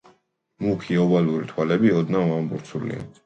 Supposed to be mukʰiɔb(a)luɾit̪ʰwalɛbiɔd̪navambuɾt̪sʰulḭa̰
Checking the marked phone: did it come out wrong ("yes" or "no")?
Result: no